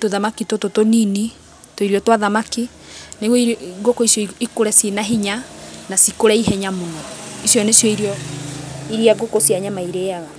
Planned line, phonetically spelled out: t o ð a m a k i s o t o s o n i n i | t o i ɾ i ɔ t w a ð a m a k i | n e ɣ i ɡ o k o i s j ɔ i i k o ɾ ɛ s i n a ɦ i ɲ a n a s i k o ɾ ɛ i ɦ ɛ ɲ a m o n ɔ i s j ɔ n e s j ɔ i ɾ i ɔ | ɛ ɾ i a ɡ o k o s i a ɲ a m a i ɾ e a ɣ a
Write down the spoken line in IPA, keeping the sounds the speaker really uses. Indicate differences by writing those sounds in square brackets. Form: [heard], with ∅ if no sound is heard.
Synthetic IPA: t o ð a m a k i [t] o t o [t] o n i n i | t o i ɾ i ɔ t w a ð a m a k i | n e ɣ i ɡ o k o i s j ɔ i i k o ɾ ɛ s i n a ɦ i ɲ a n a s i k o ɾ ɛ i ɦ ɛ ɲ a m o n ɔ i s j ɔ n e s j ɔ i ɾ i ɔ | [i] ɾ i a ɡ o k o s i a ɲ a m a i ɾ e a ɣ a